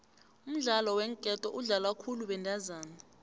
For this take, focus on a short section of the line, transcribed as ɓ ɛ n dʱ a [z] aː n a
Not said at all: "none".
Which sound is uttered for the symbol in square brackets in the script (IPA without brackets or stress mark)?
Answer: z